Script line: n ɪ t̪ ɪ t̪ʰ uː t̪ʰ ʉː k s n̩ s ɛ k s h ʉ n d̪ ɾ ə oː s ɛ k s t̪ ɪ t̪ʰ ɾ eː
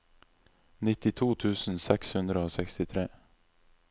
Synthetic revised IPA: n ɪ t̪ ɪ t̪ʰ uː t̪ʰ ʉː s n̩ s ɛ k s h ʉ n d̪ ɾ ə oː s ɛ k s t̪ ɪ t̪ʰ ɾ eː